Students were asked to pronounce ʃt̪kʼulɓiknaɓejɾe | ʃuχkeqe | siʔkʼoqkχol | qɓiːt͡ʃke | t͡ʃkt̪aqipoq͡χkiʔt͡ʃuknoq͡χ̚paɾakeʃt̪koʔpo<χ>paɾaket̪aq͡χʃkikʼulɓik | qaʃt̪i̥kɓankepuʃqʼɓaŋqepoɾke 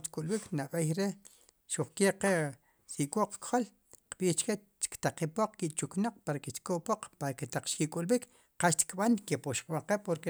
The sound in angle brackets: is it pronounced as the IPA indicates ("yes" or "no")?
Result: no